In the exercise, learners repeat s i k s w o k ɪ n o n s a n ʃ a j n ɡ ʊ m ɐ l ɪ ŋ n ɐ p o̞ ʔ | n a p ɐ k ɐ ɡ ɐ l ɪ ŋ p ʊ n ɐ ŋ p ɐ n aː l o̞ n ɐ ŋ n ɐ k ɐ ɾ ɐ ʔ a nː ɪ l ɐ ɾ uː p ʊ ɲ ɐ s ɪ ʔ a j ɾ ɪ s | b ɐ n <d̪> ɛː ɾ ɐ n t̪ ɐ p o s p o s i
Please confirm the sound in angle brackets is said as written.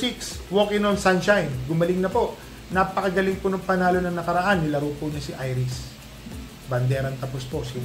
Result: yes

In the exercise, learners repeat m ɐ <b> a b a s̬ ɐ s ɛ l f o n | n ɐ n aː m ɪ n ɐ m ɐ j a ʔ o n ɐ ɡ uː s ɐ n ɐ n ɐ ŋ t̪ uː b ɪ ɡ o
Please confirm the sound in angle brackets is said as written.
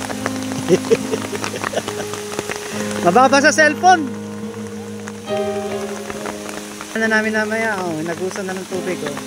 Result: yes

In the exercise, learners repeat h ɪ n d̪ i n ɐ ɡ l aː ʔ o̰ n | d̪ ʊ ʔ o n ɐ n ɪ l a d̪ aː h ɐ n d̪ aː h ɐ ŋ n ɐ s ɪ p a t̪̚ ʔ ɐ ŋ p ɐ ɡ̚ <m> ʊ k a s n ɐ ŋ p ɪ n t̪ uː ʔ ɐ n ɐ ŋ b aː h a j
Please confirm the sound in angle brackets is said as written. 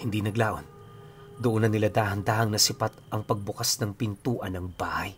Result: no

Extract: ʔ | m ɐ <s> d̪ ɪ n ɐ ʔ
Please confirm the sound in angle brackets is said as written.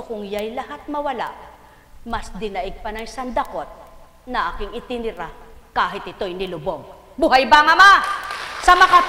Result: yes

